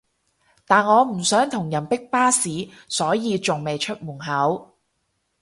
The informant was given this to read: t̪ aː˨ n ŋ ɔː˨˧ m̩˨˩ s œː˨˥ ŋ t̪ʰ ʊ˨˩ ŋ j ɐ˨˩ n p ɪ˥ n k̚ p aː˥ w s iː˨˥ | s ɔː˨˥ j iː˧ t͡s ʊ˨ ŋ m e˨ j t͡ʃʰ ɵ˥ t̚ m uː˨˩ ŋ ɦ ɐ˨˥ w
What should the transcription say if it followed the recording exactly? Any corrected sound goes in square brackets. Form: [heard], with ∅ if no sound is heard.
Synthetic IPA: t̪ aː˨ n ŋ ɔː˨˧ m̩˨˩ s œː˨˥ ŋ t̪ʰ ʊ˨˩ ŋ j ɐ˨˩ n p ɪ˥ [∅] k̚ p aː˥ [∅] s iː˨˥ | s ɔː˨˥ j iː˧ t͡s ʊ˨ ŋ m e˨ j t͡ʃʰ ɵ˥ t̚ m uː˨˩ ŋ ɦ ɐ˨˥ w

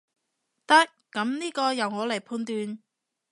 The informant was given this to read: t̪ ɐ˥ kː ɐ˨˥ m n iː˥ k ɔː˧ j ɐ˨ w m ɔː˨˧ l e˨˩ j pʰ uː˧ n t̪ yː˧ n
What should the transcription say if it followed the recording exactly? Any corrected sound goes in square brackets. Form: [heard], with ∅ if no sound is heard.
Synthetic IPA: t̪ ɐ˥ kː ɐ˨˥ m n iː˥ k ɔː˧ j ɐ˨ w [ŋ] ɔː˨˧ l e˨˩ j pʰ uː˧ n t̪ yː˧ n

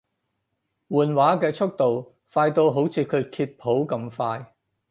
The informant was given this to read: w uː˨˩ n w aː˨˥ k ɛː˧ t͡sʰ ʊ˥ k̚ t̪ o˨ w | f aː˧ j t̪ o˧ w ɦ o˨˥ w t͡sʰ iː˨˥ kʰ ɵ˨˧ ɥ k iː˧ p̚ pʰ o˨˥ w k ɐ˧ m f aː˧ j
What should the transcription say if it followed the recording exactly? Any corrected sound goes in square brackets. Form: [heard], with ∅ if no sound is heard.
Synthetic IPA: w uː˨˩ n w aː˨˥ k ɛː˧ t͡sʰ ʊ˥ k̚ t̪ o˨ w | f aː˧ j t̪ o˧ w ɦ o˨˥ w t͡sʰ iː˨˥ kʰ ɵ˨˧ ɥ [kʰ] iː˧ [t̚] pʰ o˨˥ w k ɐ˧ m f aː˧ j

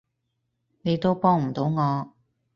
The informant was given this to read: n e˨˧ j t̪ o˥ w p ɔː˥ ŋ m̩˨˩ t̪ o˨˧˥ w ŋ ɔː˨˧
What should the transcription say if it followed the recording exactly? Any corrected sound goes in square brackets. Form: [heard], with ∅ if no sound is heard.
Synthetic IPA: n e˨˧ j t̪ o˥ w p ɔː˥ ŋ m̩˨˩ t̪ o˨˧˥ w ŋ ɔː˨˧

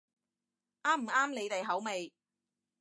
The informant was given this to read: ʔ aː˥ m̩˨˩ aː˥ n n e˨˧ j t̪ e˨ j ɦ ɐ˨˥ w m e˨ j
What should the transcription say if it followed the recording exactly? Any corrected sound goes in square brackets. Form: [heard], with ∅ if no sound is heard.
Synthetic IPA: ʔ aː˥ m̩˨˩ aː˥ [m] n e˨˧ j t̪ e˨ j ɦ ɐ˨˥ w m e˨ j

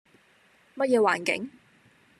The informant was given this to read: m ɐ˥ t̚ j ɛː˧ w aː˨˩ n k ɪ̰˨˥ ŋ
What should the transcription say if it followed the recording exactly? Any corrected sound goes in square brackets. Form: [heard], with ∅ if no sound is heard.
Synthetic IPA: m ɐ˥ t̚ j ɛː˧ w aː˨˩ n k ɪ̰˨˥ ŋ

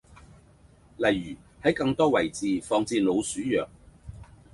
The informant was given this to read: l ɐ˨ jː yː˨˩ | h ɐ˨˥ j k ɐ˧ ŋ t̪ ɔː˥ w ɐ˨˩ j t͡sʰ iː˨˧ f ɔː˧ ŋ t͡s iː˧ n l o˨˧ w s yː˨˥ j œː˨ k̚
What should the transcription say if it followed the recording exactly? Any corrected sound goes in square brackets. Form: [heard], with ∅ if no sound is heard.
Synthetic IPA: l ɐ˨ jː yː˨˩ | h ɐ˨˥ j k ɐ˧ ŋ t̪ ɔː˥ w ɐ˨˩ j [t͡s] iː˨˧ f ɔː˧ ŋ t͡s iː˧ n l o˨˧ w s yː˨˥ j œː˨ k̚

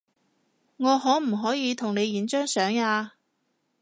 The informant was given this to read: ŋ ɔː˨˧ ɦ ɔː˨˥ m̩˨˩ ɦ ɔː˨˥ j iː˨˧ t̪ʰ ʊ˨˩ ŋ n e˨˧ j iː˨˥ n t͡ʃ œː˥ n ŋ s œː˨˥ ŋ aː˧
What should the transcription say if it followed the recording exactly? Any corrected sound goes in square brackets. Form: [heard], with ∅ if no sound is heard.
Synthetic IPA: ŋ ɔː˨˧ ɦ ɔː˨˥ m̩˨˩ ɦ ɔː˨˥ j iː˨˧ t̪ʰ ʊ˨˩ ŋ n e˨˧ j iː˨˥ n t͡ʃ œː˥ [∅] ŋ s œː˨˥ ŋ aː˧

